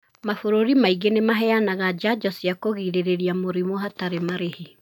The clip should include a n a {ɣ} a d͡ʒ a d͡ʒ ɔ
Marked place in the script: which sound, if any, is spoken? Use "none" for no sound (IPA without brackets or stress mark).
ɣ